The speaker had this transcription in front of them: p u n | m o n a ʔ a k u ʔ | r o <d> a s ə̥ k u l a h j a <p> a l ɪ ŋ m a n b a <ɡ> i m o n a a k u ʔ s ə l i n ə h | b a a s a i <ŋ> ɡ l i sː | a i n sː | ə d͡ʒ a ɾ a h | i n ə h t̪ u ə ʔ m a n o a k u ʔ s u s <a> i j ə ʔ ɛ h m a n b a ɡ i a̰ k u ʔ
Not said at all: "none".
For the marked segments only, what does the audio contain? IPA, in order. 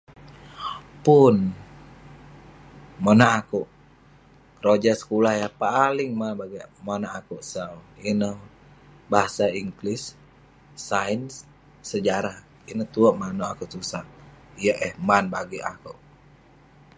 d͡ʒ, p, ɡ, ŋ, a

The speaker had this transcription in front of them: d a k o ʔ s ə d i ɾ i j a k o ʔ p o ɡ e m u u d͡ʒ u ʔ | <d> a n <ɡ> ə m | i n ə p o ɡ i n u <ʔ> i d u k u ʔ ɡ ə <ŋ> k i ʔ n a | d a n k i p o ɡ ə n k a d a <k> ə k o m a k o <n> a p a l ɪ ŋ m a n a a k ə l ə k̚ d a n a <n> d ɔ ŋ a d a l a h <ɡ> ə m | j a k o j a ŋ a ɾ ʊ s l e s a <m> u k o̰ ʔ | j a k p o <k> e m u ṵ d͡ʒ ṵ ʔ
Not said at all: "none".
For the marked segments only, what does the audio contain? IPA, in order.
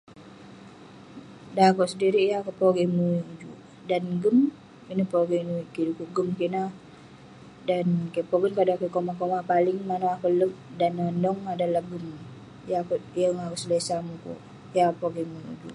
d, ɡ, k, m, k, m, n, ɡ, m, ɡ

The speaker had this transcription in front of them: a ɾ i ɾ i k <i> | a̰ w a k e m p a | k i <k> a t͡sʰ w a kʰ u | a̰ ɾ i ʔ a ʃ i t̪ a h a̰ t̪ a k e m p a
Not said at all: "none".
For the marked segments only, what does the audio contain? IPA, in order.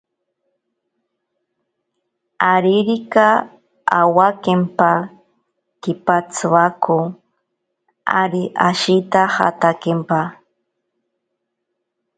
a, p

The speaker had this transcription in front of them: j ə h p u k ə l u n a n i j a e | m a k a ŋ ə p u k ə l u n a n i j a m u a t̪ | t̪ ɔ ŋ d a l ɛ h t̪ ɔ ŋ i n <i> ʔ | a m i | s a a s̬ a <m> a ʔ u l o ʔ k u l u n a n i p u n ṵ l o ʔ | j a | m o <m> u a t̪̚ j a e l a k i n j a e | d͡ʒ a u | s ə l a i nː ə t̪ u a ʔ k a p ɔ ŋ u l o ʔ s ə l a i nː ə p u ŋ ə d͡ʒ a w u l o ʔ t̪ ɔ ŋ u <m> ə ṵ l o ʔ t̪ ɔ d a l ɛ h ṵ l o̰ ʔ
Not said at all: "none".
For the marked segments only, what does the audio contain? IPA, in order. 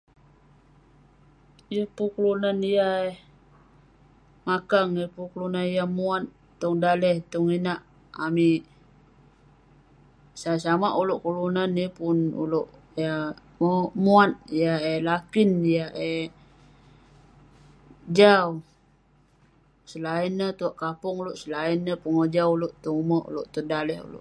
a, m, m, m

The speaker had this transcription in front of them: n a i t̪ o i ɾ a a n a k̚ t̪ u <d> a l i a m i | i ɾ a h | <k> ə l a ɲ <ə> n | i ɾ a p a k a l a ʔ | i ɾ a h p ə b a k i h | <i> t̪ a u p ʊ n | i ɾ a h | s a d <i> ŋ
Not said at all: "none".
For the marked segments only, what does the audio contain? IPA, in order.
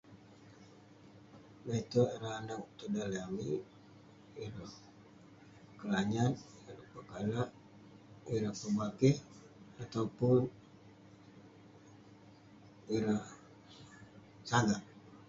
d, k, a, a, a

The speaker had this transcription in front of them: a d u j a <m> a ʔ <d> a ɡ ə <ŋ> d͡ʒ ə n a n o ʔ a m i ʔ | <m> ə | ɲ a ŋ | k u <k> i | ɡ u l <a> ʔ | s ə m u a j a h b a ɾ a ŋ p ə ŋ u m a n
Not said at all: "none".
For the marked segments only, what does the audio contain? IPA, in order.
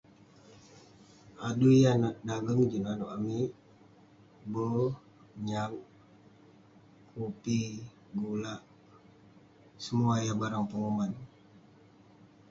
n, d, ŋ, b, p, a

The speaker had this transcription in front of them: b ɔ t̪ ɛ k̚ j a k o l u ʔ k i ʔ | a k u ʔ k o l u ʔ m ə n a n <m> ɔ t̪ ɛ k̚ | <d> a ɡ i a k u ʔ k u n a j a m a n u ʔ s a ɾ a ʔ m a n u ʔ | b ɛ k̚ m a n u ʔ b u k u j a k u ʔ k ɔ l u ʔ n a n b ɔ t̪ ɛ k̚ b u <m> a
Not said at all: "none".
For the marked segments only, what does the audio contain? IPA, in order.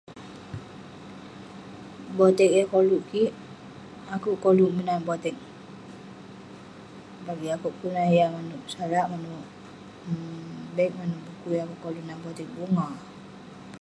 b, b, ŋ

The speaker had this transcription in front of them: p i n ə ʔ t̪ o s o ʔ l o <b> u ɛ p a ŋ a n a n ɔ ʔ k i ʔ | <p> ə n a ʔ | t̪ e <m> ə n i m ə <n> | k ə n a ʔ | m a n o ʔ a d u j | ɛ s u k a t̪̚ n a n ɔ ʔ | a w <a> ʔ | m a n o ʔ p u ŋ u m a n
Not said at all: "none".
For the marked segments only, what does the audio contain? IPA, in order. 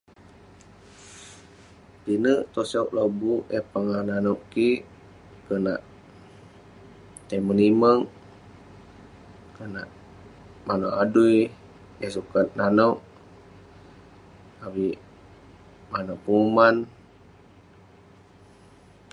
b, k, m, ŋ, i

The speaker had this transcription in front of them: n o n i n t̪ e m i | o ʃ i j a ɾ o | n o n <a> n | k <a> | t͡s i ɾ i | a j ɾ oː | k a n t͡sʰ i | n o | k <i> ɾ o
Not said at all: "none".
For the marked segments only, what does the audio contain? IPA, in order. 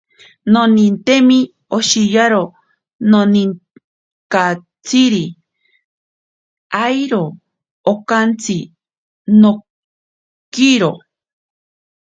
i, a, i

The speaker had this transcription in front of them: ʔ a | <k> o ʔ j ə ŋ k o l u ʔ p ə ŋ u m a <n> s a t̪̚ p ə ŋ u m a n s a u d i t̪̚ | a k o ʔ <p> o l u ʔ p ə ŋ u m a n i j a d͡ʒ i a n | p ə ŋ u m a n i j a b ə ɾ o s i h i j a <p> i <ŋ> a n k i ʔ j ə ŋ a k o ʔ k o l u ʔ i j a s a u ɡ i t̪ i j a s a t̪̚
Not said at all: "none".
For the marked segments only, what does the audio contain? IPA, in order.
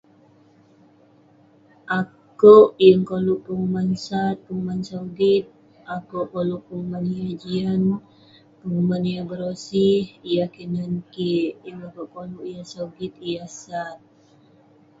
k, n, k, k, n

